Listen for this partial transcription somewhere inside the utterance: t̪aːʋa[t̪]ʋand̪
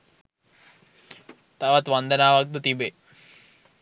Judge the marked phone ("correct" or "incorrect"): correct